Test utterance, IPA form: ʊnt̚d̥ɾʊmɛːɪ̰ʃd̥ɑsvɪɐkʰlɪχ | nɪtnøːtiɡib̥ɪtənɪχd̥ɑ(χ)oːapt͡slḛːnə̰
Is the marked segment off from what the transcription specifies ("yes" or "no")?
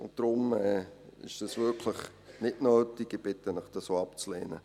yes